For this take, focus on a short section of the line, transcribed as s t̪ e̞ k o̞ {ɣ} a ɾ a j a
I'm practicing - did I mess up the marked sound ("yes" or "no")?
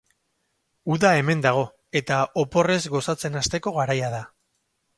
no